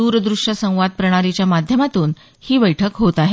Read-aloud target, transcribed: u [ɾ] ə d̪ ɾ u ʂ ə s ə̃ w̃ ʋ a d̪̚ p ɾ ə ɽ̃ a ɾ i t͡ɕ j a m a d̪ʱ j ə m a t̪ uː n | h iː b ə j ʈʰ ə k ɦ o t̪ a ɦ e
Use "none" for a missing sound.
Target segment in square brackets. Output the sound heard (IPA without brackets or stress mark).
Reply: ɾ